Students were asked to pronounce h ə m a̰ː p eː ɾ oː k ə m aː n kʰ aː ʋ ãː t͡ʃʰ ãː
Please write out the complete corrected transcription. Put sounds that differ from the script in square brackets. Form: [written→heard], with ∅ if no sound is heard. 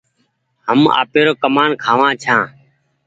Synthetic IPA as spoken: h ə m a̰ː p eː ɾ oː k ə m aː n kʰ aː ʋ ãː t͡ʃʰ ãː